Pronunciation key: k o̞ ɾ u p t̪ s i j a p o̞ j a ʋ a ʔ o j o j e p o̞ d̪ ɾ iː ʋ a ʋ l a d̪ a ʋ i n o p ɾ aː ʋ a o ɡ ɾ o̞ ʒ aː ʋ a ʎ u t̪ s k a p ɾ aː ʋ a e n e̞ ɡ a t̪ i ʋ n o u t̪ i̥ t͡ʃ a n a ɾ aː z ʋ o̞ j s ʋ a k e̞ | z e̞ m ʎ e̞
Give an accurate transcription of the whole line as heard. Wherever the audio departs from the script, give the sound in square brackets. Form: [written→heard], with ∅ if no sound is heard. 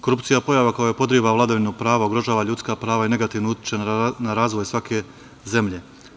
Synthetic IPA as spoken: k o̞ ɾ u p t̪ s i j a p o̞ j a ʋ a [ʔ→k] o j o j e p o̞ d̪ ɾ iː ʋ a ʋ l a d̪ a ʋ i n o p ɾ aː ʋ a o ɡ ɾ o̞ ʒ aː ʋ a ʎ u t̪ s k a p ɾ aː ʋ a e n e̞ ɡ a t̪ i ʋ n o u t̪ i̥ t͡ʃ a n a ɾ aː z ʋ o̞ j s ʋ a k e̞ | z e̞ m ʎ e̞